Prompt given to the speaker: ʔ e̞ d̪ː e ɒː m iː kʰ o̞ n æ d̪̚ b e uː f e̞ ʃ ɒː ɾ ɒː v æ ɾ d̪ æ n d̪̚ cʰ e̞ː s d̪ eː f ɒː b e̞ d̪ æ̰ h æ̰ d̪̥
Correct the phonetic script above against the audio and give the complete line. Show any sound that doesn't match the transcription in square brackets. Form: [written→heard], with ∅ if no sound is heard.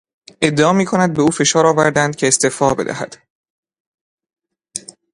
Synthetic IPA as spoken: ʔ e̞ d̪ː e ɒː m iː kʰ o̞ n æ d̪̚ b e uː f e̞ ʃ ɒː ɾ ɒː v æ ɾ d̪ æ n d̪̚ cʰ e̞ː s [d̪→t̪] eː f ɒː b e̞ d̪ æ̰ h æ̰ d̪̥